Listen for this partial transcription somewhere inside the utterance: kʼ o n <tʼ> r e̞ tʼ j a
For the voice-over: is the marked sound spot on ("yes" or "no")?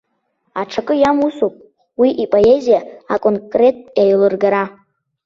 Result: no